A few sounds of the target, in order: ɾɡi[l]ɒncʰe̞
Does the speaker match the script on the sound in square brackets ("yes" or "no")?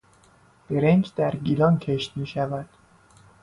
yes